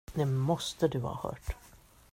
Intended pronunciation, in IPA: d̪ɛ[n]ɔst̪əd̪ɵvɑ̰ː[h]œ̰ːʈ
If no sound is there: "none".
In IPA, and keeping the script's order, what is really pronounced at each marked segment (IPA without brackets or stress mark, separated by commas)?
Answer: m, h